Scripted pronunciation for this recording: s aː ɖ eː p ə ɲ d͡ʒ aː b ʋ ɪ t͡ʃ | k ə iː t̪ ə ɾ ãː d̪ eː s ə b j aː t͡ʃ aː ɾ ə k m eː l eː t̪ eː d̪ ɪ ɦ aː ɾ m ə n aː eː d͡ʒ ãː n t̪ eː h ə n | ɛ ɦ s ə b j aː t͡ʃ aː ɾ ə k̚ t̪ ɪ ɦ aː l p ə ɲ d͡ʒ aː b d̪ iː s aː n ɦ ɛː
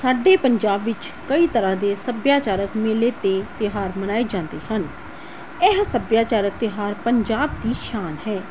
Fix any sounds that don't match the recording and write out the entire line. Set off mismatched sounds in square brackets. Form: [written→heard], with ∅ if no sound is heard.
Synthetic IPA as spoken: s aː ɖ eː p ə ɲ d͡ʒ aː b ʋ ɪ t͡ʃ | k ə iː t̪ ə ɾ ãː d̪ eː s ə b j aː t͡ʃ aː ɾ ə k m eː l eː t̪ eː [d̪→t̪] ɪ ɦ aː ɾ m ə n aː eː d͡ʒ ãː n [t̪→d̪] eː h ə n | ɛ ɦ s ə b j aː t͡ʃ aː ɾ ə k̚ t̪ ɪ ɦ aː [l→ɾ] p ə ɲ d͡ʒ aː b d̪ iː [s→ʃ] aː n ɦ ɛː